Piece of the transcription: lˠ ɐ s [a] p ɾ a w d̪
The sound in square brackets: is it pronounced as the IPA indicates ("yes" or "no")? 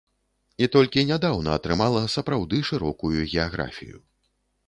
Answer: no